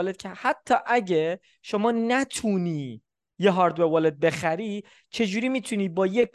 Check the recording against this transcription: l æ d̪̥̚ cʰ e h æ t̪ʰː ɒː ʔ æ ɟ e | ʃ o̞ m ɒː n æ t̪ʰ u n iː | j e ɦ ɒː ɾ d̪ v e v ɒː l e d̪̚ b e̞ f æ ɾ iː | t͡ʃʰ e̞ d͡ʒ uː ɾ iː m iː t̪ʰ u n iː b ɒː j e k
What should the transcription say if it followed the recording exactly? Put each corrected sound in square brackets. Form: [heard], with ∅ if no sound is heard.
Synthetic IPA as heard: l [e] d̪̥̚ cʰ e h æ t̪ʰː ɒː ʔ æ ɟ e | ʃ o̞ m ɒː n æ t̪ʰ u n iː | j e ɦ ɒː ɾ d̪ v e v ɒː l e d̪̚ b e̞ [x] æ ɾ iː | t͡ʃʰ e̞ d͡ʒ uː ɾ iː m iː t̪ʰ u n iː b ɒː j e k